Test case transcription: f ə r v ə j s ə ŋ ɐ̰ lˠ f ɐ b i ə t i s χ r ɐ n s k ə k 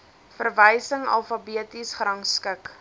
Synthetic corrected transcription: f ə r v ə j s ə ŋ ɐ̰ lˠ f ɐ b i ə t i s χ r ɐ ŋ s k ə k